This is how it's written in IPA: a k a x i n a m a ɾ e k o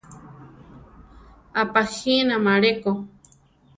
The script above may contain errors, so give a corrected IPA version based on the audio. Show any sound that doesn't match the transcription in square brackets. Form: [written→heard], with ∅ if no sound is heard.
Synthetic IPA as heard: a [k→p] a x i n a m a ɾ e k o